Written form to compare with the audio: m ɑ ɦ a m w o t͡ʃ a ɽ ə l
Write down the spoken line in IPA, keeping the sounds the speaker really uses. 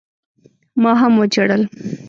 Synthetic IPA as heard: m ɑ ɦ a m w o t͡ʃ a ɽ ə l